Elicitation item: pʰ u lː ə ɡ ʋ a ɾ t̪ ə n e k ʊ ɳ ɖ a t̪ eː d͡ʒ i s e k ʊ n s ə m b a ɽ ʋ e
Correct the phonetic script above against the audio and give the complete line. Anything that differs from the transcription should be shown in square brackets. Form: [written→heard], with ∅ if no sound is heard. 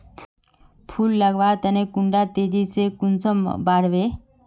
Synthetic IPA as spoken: pʰ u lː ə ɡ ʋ a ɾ t̪ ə n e k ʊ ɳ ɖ a t̪ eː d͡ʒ i s e k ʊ n s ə m b a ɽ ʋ e